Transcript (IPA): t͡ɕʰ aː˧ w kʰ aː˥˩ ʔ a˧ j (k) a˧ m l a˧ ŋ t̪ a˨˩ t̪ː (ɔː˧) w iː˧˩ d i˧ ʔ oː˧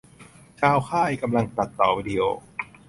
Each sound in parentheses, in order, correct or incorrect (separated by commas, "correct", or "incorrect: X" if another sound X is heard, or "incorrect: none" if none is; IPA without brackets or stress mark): correct, incorrect: ɔː˨˩